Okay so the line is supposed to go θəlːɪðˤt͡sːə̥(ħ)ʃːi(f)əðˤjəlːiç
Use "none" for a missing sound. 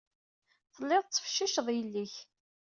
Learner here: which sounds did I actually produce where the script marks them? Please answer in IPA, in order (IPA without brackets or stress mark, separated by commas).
f, ʃ